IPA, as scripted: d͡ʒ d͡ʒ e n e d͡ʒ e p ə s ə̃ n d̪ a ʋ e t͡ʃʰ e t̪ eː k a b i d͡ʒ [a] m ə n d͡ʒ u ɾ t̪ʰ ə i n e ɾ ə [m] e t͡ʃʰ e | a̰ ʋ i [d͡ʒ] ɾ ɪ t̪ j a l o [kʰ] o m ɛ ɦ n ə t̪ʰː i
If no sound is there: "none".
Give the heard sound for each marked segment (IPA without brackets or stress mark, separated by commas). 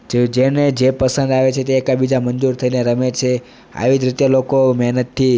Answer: a, m, d͡ʒ, k